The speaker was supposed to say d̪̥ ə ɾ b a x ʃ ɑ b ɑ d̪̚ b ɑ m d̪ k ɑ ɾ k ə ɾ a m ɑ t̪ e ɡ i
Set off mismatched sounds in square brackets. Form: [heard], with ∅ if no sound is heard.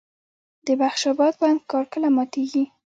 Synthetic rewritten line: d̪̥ ə [∅] b a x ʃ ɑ b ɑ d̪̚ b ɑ [n] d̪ k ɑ ɾ k ə [l] a m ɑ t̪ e ɡ i